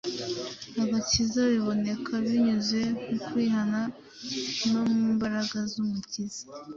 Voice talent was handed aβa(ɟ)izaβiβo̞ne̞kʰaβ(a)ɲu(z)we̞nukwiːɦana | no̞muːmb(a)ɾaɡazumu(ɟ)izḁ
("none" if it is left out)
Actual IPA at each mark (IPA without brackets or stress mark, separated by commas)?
c, i, z, a, c